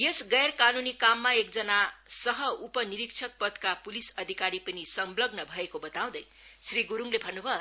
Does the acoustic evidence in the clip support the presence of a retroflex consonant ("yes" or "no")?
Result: no